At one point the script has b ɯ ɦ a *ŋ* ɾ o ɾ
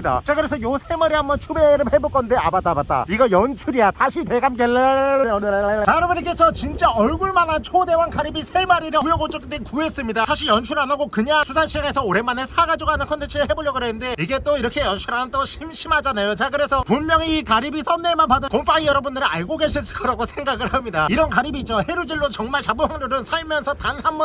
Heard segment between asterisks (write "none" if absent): ŋ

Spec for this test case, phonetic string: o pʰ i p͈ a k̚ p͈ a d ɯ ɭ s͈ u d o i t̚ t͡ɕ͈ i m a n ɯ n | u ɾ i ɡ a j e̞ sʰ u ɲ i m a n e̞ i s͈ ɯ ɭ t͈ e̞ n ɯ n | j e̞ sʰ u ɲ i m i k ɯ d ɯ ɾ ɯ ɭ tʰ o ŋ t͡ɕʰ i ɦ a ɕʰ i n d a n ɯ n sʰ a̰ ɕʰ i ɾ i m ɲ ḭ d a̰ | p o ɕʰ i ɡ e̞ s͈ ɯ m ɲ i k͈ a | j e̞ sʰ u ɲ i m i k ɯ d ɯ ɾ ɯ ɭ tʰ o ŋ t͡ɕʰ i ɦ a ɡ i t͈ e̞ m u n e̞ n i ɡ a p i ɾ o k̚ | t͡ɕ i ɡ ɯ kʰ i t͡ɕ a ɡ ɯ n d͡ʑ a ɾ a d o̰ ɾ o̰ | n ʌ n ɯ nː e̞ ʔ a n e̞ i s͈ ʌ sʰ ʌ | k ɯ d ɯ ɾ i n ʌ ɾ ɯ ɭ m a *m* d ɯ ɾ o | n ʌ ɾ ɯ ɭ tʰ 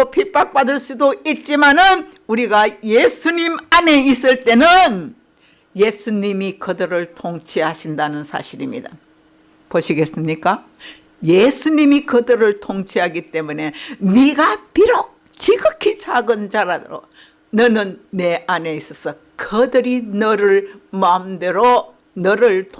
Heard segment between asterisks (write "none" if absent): m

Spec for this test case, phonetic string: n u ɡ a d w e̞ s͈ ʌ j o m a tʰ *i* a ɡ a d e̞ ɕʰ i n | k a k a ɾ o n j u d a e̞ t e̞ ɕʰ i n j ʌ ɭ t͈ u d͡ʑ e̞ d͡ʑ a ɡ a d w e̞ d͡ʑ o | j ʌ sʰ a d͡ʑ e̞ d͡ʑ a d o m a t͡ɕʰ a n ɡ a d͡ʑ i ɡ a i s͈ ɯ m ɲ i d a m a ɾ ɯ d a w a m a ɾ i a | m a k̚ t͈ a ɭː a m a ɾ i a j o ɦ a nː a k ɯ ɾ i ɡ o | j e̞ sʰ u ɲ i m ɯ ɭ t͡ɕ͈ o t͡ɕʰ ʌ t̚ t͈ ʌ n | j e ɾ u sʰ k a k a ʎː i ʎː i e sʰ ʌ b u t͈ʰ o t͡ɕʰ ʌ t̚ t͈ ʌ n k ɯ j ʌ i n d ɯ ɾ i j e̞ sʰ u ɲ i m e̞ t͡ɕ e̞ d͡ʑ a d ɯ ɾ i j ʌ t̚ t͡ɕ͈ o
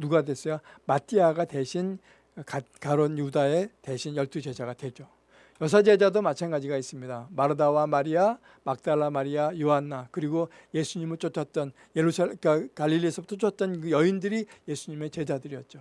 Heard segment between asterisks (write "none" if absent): i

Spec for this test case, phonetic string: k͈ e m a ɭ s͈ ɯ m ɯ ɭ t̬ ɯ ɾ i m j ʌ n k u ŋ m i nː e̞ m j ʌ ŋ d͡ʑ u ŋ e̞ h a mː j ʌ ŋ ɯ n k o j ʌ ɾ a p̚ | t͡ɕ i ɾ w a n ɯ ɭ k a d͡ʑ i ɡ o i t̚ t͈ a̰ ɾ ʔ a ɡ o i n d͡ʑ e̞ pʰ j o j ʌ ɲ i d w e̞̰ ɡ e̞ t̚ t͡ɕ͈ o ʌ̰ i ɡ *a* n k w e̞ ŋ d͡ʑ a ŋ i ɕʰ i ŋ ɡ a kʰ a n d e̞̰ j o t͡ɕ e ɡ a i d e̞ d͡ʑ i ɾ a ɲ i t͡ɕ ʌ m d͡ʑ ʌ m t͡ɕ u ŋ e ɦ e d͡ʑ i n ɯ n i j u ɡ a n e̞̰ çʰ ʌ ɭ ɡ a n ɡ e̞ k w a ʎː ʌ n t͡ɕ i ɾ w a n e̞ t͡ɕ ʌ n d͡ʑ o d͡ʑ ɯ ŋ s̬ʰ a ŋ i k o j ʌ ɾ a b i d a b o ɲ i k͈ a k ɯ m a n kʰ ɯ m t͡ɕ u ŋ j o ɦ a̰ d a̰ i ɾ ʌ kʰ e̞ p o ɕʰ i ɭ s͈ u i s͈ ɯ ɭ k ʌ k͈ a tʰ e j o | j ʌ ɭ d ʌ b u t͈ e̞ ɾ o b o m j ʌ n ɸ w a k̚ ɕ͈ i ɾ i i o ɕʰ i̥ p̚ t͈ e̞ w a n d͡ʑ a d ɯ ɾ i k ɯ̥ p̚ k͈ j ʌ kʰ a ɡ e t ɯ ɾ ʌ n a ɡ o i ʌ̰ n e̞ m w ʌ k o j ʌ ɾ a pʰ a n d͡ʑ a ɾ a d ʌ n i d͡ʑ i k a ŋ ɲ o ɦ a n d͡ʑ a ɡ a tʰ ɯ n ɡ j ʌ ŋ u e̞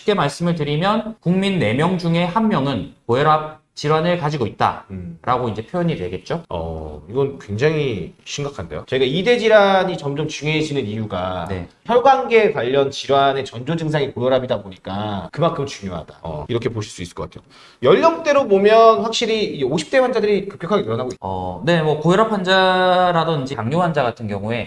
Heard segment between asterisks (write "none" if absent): ʌ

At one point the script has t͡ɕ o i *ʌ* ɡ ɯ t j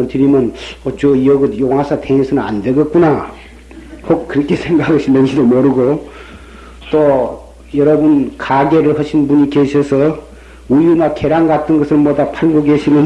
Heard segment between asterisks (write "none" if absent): ʌ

